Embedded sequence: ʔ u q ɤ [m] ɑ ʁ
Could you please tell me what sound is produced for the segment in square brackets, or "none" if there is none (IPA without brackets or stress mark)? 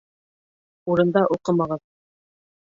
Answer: m